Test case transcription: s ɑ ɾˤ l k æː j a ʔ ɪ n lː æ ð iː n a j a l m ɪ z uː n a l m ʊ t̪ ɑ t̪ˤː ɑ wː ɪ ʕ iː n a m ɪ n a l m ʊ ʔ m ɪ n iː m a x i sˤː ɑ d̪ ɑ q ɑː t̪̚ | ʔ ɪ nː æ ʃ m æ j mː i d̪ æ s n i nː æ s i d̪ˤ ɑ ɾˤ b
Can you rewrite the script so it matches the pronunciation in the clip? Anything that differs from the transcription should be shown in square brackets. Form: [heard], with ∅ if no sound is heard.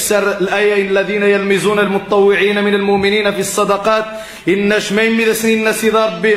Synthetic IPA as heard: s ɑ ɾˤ l [ʔ] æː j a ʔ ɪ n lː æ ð iː n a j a l m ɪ z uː n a l m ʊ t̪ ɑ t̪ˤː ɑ wː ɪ ʕ iː n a m ɪ n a l m ʊ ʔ m ɪ n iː [n] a [f] i sˤː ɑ d̪ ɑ q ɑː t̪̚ | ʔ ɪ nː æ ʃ m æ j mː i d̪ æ s n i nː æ s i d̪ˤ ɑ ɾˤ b